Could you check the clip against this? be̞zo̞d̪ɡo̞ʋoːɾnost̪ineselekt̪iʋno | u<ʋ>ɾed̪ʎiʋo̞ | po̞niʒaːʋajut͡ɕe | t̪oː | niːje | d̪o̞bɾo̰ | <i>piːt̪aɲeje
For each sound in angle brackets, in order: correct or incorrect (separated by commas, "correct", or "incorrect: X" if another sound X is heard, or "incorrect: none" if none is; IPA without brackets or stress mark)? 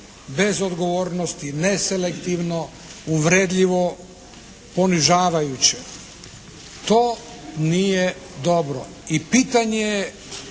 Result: correct, correct